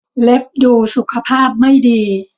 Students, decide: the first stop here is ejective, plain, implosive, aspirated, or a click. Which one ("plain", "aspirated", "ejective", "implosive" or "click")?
plain